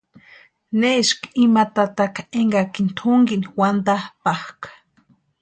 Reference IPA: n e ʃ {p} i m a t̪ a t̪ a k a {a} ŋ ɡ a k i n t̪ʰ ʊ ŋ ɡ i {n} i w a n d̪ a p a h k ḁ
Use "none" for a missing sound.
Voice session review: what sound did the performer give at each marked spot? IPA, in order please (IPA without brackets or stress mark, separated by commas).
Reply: k, e, n